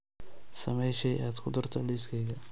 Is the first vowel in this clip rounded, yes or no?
no